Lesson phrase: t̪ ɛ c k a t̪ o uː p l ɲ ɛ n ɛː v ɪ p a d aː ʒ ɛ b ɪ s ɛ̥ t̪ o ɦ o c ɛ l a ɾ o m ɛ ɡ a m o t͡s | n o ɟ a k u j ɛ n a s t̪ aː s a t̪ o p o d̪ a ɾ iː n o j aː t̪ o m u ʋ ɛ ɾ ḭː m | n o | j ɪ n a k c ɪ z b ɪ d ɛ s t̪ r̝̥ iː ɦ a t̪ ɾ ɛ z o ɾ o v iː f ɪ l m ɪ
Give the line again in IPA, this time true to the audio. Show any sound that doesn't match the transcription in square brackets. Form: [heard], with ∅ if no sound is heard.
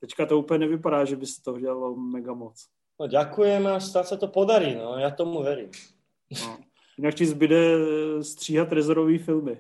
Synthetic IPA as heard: t̪ ɛ c k a t̪ o uː p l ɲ ɛ n [ɛ] v ɪ p a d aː ʒ ɛ b ɪ s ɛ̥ t̪ o ɦ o [ɟ] ɛ l a [l] o m ɛ ɡ a m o t͡s | n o ɟ a k u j ɛ [m] a s t̪ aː s a t̪ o p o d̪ a ɾ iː n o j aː t̪ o m u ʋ ɛ ɾ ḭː m | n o | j ɪ n a k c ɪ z b ɪ d ɛ s t̪ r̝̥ iː ɦ a t̪ ɾ ɛ z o ɾ o v iː f ɪ l m ɪ